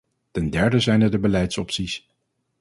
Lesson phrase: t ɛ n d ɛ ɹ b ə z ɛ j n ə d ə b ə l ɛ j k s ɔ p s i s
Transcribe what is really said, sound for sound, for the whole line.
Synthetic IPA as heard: t ɛ n d ɛ ɹ d ə z ɛ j n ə d ə b ə l ɛ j t s ɔ p s i s